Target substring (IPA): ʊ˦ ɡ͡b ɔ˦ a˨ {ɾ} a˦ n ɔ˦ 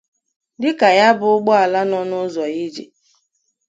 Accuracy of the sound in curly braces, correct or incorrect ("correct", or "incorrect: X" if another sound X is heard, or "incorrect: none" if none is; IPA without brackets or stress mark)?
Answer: incorrect: l